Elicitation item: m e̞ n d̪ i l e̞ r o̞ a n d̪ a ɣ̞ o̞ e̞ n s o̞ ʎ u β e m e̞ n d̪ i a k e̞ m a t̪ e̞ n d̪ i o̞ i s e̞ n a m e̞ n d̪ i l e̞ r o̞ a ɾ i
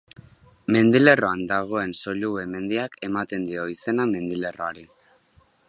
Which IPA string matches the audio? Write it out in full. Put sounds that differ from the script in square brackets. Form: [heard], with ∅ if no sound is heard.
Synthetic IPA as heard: m e̞ n d̪ i l e̞ r o̞ a n d̪ a ɣ̞ o̞ e̞ n s o̞ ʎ u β e m e̞ n d̪ i a k e̞ m a t̪ e̞ n d̪ i o̞ i s e̞ n a m e̞ n d̪ i l e̞ r o̞ a ɾ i